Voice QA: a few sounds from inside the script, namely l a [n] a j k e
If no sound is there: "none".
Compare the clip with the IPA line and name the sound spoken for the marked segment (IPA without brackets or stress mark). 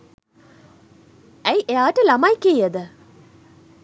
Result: m